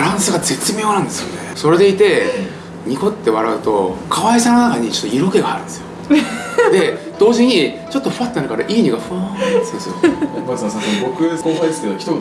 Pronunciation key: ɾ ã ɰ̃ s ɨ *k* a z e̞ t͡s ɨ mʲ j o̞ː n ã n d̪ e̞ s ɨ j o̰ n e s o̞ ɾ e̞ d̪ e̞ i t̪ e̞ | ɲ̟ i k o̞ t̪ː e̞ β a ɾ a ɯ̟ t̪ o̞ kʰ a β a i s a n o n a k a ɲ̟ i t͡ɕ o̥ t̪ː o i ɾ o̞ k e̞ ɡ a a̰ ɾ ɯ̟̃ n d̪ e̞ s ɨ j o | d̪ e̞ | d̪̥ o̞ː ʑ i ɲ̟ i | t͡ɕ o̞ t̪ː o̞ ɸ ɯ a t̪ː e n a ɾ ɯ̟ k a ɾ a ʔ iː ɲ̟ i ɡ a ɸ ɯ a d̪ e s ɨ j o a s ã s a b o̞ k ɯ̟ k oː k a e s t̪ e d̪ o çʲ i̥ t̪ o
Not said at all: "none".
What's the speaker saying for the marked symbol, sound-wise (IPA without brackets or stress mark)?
ɡ